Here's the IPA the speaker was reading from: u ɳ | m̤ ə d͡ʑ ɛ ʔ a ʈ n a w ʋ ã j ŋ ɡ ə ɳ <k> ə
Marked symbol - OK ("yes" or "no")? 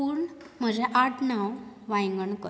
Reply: yes